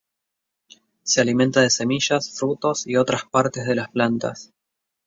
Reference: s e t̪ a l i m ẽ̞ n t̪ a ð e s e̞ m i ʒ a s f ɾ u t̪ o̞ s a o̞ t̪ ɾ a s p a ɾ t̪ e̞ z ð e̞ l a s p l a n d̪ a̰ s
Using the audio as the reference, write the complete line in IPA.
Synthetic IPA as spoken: s e a l i m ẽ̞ n t̪ a ð e s e̞ m i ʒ a s f ɾ u t̪ o̞ s i o̞ t̪ ɾ a s p a ɾ t̪ e̞ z ð e̞ l a s p l a n t̪ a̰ s